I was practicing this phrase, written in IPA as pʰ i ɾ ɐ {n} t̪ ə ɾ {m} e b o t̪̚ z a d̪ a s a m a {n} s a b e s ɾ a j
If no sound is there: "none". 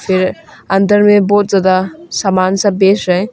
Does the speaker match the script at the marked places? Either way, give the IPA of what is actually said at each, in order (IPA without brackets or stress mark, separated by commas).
n, m, n